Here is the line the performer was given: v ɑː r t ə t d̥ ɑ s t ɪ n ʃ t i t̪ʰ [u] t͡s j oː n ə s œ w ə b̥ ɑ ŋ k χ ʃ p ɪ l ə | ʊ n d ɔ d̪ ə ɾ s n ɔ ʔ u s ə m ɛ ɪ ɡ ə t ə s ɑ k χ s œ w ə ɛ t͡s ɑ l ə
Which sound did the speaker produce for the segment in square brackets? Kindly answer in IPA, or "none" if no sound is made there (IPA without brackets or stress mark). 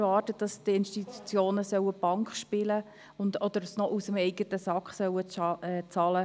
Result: u